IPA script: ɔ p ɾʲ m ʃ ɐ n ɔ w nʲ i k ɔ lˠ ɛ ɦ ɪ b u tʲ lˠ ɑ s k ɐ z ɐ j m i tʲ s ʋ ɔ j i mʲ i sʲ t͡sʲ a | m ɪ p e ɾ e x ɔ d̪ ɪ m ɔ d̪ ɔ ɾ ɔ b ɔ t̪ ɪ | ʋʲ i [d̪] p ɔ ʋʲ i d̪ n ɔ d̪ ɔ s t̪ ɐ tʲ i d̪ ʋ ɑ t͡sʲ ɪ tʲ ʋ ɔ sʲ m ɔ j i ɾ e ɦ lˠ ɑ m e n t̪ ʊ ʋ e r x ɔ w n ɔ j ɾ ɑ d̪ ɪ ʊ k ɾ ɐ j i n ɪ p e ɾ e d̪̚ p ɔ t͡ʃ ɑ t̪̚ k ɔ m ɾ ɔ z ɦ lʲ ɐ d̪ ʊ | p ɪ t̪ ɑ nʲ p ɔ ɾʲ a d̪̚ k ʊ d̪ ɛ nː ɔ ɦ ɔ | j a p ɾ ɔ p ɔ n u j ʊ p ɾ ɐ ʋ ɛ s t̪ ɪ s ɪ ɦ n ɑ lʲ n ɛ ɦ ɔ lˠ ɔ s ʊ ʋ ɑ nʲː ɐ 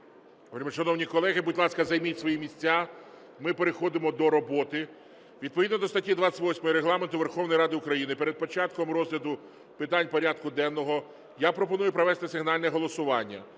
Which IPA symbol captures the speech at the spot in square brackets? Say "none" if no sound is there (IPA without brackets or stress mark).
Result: d̪